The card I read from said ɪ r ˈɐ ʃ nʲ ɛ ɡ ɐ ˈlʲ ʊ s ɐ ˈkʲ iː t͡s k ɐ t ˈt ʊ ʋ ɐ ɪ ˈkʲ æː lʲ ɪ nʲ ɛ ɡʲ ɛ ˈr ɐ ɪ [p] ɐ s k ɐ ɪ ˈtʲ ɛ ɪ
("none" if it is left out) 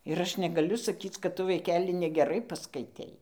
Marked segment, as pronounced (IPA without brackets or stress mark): p